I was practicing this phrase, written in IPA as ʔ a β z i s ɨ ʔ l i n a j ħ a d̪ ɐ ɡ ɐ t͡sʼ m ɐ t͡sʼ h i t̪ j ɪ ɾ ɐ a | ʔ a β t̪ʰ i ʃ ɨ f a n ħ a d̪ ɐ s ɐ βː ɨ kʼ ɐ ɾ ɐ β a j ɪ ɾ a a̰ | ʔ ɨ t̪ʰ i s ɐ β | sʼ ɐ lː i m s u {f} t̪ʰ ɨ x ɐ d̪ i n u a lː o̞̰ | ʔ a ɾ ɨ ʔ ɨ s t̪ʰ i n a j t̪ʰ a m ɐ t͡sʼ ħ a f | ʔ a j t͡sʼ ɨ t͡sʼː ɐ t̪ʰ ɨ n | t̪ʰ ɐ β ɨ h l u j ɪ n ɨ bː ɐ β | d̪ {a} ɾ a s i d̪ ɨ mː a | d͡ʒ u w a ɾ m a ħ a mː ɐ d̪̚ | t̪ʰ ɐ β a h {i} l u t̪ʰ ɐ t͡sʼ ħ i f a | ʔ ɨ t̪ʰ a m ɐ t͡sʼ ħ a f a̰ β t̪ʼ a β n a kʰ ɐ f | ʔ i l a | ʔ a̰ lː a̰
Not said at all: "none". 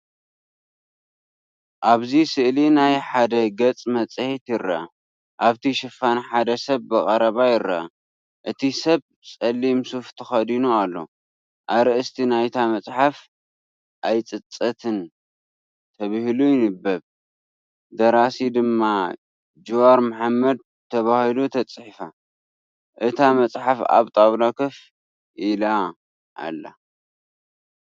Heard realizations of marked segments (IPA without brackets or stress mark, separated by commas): f, ɐ, i